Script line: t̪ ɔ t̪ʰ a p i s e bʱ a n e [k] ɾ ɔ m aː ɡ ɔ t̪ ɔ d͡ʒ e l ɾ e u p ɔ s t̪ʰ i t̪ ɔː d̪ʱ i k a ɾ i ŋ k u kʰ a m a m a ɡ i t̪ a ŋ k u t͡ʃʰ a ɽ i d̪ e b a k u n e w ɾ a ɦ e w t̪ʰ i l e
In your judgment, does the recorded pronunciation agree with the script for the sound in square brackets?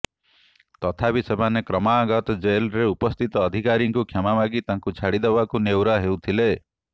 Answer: yes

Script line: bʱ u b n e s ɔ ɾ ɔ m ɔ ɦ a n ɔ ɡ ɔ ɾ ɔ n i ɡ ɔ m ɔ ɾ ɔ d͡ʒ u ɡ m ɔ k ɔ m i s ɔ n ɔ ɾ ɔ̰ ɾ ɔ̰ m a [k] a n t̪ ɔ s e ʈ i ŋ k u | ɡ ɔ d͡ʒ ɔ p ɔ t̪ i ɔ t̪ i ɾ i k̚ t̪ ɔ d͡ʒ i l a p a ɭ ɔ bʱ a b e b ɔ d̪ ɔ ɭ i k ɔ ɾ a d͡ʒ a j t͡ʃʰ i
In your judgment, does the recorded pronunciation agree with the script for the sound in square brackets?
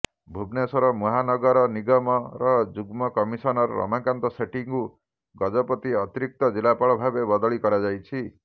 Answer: yes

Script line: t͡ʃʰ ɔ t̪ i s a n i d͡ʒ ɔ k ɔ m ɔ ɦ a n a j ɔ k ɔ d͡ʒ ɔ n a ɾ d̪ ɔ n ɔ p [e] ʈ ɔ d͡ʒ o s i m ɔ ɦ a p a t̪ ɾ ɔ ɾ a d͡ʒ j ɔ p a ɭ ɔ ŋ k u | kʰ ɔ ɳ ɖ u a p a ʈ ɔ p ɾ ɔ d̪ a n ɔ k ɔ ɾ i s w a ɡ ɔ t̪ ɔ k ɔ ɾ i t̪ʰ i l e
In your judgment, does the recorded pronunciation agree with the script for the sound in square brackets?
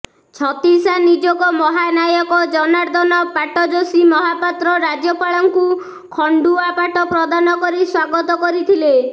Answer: no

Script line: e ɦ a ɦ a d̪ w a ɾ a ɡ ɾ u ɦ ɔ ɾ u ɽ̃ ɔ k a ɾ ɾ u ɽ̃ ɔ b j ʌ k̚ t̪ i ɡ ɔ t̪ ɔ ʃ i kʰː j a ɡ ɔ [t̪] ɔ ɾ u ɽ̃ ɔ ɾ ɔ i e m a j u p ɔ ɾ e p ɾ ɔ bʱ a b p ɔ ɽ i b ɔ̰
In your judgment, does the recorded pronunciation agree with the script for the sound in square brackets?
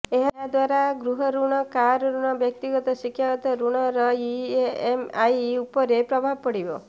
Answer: yes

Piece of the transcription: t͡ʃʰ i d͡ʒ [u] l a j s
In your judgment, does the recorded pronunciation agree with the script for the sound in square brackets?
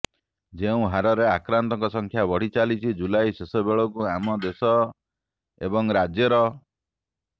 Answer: yes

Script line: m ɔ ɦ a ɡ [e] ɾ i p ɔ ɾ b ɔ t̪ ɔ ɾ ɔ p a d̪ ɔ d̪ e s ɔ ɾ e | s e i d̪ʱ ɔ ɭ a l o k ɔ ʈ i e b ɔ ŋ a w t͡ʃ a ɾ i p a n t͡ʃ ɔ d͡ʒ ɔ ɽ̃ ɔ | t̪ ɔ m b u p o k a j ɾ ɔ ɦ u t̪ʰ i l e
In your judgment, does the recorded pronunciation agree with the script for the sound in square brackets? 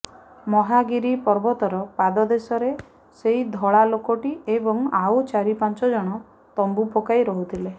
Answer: no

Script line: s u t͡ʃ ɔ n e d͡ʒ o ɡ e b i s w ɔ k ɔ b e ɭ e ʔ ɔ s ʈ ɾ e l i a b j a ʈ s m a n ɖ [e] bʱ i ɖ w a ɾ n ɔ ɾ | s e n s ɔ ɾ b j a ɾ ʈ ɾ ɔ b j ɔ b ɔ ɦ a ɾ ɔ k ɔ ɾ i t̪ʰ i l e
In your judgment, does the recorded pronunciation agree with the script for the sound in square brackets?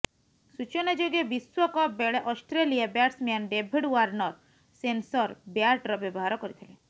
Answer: yes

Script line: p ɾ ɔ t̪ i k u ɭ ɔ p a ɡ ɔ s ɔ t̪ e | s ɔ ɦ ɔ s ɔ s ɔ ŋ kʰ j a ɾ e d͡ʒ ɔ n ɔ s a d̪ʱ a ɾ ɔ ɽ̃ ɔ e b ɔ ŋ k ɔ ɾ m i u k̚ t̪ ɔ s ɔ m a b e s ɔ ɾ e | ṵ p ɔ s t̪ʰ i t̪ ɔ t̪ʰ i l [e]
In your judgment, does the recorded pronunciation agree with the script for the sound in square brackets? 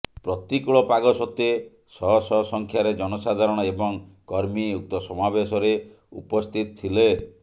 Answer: yes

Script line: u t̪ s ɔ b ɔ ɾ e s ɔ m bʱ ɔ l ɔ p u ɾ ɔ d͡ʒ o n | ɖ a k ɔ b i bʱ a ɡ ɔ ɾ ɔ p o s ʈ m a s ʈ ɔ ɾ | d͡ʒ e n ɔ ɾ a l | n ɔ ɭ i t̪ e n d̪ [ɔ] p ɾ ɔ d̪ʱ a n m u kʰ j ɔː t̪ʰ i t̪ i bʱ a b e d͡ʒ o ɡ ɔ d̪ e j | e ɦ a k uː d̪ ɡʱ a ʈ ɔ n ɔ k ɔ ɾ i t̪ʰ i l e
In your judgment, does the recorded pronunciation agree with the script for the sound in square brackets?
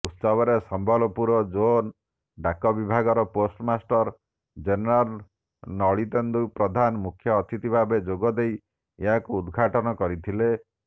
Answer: no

